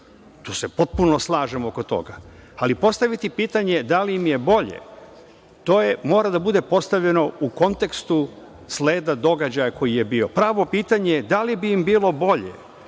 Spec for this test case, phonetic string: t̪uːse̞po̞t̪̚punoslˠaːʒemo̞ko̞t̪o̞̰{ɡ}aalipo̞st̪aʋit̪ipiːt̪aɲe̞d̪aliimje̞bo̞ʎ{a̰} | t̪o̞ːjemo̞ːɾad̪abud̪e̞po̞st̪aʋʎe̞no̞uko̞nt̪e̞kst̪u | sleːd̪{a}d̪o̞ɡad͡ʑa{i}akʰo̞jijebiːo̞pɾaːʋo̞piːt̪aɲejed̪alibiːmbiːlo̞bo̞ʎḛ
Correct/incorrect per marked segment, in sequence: correct, incorrect: ḛ, correct, incorrect: j

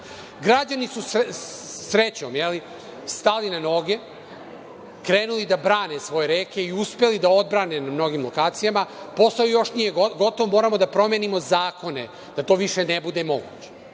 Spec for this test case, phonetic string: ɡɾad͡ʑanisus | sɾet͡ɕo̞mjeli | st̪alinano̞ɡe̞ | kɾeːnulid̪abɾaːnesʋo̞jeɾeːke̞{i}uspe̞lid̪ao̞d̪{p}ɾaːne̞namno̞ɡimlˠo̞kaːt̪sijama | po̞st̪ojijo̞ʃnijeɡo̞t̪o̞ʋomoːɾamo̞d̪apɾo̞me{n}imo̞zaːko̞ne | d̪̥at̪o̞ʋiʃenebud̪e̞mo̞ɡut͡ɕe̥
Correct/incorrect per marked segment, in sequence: correct, incorrect: b, correct

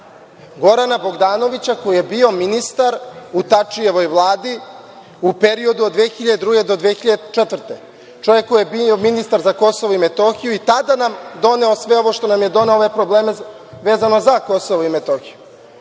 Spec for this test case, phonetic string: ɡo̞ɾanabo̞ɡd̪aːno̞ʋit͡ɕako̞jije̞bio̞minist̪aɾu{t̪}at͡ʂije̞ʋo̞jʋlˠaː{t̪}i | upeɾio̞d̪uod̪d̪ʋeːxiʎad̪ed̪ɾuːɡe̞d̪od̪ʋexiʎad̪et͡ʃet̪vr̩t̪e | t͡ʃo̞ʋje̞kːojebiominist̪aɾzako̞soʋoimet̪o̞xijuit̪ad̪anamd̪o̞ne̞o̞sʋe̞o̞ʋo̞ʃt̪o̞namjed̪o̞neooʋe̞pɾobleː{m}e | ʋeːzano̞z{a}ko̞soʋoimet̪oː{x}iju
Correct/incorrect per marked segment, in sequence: correct, incorrect: d̪, correct, correct, correct

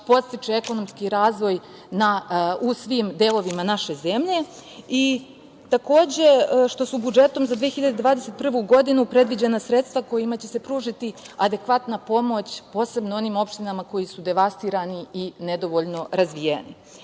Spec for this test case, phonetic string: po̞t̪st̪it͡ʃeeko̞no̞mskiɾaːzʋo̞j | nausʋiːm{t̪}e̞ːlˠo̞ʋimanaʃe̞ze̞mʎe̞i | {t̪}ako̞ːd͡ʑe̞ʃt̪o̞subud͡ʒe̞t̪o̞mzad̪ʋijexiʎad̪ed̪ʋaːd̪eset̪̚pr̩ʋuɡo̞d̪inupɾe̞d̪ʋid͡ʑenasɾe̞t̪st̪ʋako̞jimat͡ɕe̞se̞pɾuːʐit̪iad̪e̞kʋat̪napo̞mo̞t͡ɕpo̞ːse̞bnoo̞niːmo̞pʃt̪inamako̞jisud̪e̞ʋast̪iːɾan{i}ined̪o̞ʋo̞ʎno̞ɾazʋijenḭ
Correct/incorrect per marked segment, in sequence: incorrect: d̪, correct, correct

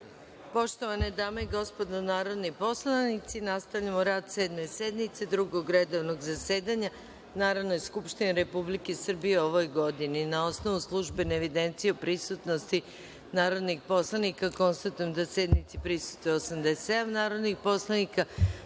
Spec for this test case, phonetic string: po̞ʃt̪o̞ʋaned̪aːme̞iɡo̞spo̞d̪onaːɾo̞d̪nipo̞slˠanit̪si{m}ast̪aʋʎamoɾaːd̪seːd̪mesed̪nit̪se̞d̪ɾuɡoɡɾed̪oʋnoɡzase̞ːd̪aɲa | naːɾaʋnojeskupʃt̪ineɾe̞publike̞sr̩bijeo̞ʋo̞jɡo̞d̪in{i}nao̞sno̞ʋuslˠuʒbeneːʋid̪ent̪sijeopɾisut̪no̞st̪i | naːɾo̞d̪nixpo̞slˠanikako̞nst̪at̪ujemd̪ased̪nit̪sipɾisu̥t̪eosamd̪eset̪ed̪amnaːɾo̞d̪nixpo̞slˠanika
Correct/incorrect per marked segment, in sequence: incorrect: n, correct

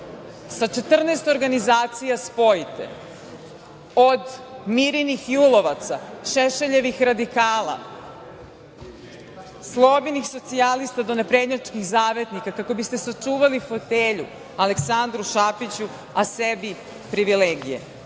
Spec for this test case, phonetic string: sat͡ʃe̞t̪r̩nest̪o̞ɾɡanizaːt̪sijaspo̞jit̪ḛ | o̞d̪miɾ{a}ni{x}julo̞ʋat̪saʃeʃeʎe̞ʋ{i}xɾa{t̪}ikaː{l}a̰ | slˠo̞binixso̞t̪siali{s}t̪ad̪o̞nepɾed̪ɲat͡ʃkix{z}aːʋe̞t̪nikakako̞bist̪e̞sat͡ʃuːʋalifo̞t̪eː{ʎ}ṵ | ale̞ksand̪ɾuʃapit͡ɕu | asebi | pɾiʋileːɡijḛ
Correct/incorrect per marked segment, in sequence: incorrect: i, correct, correct, incorrect: d̪, correct, correct, correct, correct

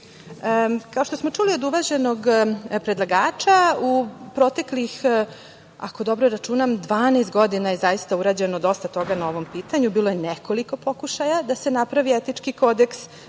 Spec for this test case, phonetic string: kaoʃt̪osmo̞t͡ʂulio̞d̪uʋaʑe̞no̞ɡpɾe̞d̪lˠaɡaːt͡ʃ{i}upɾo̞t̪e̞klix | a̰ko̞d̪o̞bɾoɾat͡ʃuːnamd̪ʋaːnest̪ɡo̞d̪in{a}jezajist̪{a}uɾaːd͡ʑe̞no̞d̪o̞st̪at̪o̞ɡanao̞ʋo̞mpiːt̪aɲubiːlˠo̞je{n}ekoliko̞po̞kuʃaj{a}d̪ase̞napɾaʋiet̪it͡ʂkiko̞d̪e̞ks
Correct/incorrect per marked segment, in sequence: incorrect: a, correct, correct, correct, correct

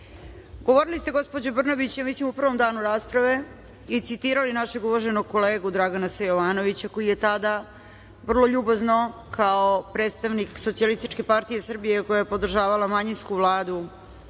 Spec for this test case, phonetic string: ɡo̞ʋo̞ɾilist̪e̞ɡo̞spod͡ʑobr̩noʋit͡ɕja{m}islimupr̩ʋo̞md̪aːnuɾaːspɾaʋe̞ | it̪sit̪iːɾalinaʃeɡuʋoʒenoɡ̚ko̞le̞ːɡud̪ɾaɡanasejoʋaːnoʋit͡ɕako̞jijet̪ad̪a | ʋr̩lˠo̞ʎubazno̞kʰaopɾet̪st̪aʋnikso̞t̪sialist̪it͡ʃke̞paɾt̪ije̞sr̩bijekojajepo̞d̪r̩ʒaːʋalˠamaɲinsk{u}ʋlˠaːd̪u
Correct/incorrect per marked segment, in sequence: correct, correct

